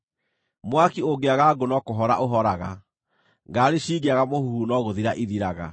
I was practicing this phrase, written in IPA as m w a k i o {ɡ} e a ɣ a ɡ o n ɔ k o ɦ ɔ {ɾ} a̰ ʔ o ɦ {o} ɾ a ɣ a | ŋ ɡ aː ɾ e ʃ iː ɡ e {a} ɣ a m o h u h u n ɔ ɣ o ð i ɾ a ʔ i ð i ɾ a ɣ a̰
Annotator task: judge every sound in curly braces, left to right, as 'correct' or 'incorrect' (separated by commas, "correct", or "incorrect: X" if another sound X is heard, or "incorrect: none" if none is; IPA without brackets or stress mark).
correct, correct, incorrect: ɔ, correct